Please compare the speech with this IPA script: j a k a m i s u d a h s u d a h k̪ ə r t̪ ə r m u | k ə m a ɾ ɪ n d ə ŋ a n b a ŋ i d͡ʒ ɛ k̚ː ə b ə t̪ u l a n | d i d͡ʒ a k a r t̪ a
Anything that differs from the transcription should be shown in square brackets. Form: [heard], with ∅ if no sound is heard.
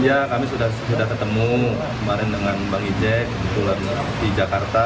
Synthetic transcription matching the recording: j a k a m i s u d a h s u d a h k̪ ə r t̪ ə [∅] m u | k ə m a ɾ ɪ n d ə ŋ a n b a ŋ i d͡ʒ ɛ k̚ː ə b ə t̪ u l a n | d i d͡ʒ a k a r t̪ a